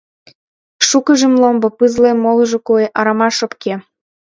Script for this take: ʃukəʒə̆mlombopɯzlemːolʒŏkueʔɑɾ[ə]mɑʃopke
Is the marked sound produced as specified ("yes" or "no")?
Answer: no